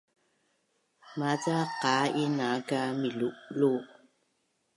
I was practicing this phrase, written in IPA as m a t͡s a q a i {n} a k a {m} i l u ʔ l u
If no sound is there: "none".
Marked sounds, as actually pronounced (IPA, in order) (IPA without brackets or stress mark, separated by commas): n, m